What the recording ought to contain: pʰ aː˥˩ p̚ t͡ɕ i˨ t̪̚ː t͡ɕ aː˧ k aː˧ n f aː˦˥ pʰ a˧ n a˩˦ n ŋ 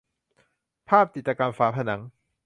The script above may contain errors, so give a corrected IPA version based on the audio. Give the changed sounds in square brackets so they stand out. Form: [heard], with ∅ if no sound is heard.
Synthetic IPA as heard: pʰ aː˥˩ p̚ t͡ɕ i˨ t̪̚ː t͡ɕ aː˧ k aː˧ n f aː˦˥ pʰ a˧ n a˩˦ [∅] ŋ